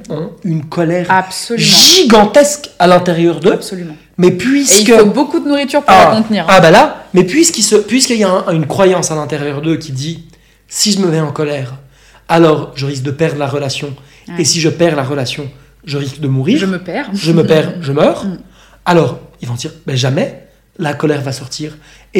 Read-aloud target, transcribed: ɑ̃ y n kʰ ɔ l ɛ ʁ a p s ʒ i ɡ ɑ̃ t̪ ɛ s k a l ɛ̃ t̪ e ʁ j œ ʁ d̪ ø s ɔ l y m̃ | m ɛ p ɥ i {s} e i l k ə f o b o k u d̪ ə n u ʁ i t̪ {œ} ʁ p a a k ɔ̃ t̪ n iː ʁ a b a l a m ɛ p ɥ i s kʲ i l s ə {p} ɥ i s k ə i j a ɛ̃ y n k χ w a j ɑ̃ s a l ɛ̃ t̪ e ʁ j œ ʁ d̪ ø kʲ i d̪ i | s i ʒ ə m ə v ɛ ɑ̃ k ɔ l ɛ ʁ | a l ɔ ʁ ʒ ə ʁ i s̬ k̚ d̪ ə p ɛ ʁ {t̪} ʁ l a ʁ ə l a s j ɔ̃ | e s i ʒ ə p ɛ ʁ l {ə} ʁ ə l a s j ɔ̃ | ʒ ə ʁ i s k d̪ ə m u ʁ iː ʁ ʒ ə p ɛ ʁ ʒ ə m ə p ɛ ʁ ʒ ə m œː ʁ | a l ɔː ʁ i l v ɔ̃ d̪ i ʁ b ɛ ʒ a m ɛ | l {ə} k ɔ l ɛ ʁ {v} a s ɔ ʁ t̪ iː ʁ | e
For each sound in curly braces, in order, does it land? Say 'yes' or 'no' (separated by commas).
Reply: yes, no, yes, no, no, no, yes